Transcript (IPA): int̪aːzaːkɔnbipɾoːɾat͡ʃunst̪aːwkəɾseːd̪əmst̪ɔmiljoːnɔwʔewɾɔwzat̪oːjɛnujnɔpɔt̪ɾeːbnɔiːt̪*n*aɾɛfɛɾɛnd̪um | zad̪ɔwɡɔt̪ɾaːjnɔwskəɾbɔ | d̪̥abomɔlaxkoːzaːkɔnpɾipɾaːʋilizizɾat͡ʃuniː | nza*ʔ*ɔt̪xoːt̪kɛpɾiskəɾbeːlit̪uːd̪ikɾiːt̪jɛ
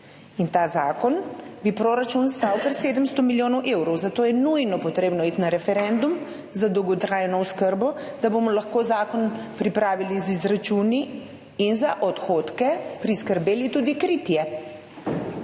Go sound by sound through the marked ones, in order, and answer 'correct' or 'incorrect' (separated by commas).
correct, correct